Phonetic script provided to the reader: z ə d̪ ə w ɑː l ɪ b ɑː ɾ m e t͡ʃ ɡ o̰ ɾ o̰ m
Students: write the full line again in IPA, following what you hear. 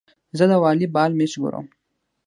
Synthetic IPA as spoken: z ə d̪ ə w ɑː l i b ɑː l m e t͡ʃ ɡ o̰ ɾ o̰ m